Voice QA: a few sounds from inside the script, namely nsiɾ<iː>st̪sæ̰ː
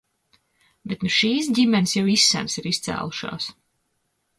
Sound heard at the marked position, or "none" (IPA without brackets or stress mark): i